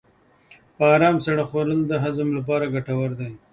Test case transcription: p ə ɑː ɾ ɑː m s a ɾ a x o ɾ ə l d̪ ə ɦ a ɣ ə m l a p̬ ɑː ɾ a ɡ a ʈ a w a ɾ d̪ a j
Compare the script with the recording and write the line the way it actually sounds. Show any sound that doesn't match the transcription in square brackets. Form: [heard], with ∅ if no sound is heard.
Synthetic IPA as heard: p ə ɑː ɾ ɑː m s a [ɽ] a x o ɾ ə l d̪ ə ɦ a [z] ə m l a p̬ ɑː ɾ a ɡ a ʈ a w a ɾ d̪ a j